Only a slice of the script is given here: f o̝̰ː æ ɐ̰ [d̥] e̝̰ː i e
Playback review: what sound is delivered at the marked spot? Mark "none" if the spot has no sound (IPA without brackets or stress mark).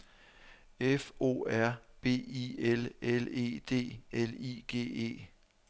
b̥